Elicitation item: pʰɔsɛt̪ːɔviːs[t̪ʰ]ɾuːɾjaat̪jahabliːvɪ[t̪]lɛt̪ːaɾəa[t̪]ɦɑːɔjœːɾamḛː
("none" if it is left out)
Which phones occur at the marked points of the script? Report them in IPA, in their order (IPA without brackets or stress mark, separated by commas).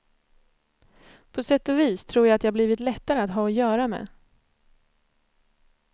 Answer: t̪ʰ, t̪, t̪